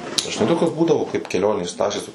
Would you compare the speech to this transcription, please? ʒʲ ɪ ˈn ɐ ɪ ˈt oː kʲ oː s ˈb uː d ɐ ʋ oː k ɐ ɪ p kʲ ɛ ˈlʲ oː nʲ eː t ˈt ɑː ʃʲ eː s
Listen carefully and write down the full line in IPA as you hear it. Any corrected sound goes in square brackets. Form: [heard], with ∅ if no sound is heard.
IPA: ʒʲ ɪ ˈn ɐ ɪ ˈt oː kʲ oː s ˈb uː d ɐ ʋ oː k ɐ ɪ p kʲ ɛ ˈlʲ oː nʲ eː [s] ˈt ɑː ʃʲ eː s

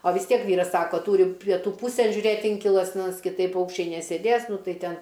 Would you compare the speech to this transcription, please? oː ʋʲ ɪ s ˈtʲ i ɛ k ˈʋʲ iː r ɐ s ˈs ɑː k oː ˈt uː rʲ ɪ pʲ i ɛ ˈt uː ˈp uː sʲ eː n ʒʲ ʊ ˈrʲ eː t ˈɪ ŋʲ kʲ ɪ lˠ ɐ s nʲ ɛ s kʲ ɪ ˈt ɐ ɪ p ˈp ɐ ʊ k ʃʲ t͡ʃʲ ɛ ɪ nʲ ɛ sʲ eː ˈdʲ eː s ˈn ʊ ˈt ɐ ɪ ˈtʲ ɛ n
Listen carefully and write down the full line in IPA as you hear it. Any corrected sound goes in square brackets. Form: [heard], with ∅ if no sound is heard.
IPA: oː ʋʲ ɪ s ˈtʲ i ɛ k ˈʋʲ iː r ɐ s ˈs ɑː k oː ˈt uː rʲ ɪ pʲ i ɛ ˈt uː ˈp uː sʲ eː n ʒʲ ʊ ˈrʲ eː t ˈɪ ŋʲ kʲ ɪ lˠ ɐ s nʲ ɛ s kʲ ɪ ˈt ɐ ɪ p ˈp ɐ ʊ k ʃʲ t͡ʃʲ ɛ ɪ nʲ ɛ sʲ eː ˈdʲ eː s ˈn ʊ ˈt ɐ ɪ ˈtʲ ɛ n

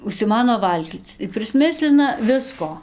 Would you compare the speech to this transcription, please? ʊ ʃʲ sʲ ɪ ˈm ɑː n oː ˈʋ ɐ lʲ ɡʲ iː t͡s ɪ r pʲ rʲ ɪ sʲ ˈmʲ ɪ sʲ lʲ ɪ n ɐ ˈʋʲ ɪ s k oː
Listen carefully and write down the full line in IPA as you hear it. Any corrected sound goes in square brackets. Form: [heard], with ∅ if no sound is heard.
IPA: ʊ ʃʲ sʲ ɪ ˈm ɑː n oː ˈʋ ɐ lʲ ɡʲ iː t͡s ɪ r pʲ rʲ ɪ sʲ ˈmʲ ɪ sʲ lʲ ɪ n ɐ ˈʋʲ ɪ s k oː

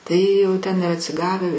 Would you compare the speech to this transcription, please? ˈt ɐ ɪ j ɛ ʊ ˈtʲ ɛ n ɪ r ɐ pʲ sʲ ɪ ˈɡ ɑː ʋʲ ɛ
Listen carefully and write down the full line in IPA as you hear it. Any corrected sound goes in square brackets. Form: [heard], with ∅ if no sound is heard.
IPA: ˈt ɐ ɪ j ɛ ʊ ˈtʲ ɛ n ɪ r ɐ [tʲ] sʲ ɪ ˈɡ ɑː ʋʲ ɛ

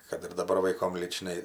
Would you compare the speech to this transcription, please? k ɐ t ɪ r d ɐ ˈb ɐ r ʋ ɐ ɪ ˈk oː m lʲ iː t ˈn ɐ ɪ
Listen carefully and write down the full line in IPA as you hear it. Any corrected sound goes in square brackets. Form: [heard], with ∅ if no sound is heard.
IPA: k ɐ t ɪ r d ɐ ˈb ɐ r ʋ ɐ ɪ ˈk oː m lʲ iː [t͡ʃ] ˈn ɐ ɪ

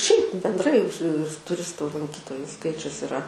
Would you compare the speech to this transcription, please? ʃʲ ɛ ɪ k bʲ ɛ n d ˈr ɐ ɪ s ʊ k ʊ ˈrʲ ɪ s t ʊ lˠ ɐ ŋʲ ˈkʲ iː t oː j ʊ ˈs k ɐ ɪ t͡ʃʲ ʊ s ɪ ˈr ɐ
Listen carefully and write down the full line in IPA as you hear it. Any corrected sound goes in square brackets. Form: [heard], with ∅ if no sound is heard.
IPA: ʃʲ ɛ ɪ [p] bʲ ɛ n d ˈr ɐ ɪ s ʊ [t] ʊ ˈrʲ ɪ s t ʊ lˠ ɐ ŋʲ ˈkʲ iː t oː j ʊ ˈs k ɐ ɪ t͡ʃʲ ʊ s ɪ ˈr ɐ

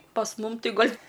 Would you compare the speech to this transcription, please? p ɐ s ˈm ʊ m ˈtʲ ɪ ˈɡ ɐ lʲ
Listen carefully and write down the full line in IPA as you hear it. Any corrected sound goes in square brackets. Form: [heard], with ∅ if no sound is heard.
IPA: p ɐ s ˈm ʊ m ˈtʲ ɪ ˈɡ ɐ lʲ

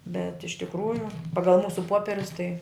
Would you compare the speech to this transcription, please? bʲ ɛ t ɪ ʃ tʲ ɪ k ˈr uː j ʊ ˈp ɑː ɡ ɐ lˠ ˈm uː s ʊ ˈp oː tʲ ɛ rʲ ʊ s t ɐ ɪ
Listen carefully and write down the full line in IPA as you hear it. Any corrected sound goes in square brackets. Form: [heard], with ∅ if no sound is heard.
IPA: bʲ ɛ t ɪ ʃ tʲ ɪ k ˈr uː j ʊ ˈp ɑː ɡ ɐ lˠ ˈm uː s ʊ ˈp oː [pʲ] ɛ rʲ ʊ s t ɐ ɪ

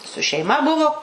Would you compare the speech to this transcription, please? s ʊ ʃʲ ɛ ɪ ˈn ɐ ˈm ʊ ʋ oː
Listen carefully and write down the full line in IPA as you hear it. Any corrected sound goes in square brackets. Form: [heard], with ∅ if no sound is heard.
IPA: s ʊ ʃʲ ɛ ɪ [ˈm] ɐ [ˈb] ʊ ʋ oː

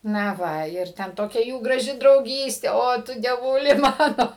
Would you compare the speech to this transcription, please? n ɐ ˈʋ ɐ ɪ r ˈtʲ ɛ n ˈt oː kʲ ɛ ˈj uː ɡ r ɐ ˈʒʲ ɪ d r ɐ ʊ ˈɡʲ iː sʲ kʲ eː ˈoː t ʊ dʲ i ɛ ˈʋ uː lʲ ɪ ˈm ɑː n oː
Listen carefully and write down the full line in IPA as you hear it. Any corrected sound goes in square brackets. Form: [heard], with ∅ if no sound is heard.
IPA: n ɐ ˈʋ ɐ ɪ r ˈtʲ ɛ n ˈt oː kʲ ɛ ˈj uː ɡ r ɐ ˈʒʲ ɪ d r ɐ ʊ ˈɡʲ iː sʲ [tʲ] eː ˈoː t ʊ dʲ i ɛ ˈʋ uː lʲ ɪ ˈm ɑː n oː

